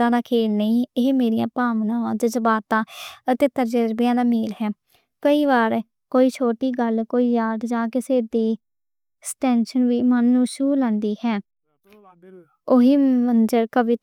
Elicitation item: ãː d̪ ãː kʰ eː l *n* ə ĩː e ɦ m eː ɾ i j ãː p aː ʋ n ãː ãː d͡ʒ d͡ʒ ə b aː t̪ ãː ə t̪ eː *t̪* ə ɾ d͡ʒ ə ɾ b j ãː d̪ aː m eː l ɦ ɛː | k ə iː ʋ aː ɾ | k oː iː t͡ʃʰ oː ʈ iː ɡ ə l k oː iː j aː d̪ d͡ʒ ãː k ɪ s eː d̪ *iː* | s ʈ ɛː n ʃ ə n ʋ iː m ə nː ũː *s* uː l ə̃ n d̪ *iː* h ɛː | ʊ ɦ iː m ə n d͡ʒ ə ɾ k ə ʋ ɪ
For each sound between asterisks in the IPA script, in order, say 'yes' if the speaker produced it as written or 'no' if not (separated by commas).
yes, yes, yes, no, yes